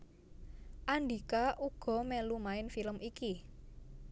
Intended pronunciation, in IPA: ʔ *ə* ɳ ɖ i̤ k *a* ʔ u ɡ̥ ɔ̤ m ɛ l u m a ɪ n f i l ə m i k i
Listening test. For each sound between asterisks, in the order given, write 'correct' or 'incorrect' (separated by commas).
incorrect, correct